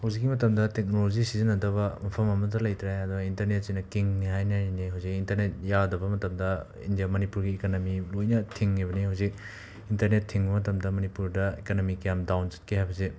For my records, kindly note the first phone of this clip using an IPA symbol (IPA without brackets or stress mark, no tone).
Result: h